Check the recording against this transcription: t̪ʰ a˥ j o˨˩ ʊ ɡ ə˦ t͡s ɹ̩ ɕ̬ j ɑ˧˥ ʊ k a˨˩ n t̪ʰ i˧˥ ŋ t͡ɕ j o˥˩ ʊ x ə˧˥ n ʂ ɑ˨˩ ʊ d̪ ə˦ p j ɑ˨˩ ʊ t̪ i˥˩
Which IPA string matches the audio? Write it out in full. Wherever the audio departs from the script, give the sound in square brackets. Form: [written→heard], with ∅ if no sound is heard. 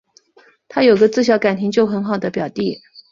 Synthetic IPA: t̪ʰ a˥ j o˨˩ ʊ ɡ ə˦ t͡s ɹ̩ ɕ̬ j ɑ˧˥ ʊ k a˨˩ n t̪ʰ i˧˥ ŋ t͡ɕ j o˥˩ ʊ x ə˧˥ n [ʂ→x] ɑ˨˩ ʊ d̪ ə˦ p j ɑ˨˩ ʊ t̪ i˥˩